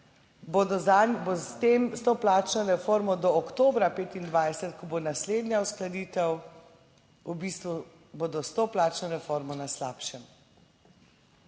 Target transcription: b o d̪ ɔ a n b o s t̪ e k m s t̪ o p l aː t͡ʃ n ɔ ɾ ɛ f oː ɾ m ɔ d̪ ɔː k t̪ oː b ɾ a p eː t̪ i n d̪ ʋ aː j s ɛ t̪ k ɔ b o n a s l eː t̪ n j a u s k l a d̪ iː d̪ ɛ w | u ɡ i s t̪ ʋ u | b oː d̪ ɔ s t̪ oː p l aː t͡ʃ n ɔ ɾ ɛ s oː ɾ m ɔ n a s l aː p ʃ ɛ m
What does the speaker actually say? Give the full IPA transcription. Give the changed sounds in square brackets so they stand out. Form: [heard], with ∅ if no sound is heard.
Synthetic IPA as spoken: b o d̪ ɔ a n b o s t̪ e [∅] m s t̪ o p l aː t͡ʃ n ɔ ɾ ɛ f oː ɾ m ɔ d̪ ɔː k t̪ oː b ɾ a p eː t̪ i n d̪ ʋ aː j s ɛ t̪ k ɔ b o n a s l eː [d̪] n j a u s k l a d̪ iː [t̪] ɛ w | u [b] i s t̪ ʋ u | b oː d̪ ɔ s t̪ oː p l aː t͡ʃ n ɔ ɾ ɛ [f] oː ɾ m ɔ n a s l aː p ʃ ɛ m